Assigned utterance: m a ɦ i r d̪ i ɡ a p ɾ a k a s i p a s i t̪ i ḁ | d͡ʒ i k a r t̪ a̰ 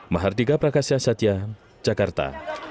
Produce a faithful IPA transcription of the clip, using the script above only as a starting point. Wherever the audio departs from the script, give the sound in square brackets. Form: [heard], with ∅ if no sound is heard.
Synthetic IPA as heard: m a ɦ [a] r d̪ i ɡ a p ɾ a k a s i [∅] a s [a] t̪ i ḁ | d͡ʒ [a] k a r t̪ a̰